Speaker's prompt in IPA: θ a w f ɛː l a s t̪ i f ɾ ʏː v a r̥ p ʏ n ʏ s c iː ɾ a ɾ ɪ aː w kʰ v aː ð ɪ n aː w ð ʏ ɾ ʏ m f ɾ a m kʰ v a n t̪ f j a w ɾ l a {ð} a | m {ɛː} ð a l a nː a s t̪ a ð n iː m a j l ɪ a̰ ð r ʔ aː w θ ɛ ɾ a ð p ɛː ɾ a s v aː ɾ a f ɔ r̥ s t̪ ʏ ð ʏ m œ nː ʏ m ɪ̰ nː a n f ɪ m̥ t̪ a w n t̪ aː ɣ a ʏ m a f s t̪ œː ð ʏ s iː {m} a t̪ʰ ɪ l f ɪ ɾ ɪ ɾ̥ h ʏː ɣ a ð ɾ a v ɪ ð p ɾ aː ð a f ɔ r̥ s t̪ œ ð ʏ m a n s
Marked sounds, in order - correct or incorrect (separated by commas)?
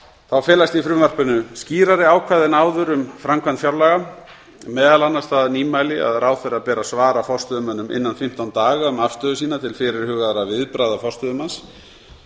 incorrect, correct, incorrect